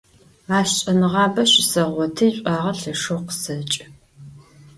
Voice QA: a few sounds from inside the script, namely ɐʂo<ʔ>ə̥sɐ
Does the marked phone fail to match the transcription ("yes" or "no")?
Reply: yes